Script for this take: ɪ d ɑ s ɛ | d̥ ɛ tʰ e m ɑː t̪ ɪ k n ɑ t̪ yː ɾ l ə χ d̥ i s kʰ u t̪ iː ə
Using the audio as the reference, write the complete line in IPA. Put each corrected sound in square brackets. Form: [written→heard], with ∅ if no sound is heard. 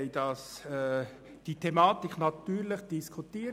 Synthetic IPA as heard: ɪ d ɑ s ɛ | d̥ [ɛ→i] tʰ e m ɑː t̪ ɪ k n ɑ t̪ yː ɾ l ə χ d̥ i s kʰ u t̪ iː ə